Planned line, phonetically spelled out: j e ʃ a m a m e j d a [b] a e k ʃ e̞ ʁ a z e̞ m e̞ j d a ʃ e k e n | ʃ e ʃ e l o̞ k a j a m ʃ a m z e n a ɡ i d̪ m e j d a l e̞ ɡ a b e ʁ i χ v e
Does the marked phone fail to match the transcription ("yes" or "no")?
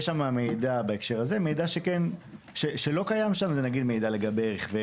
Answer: no